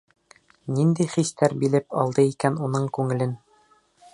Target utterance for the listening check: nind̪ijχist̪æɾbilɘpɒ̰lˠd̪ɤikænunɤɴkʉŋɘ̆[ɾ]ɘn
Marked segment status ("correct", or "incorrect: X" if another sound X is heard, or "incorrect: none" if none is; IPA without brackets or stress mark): incorrect: l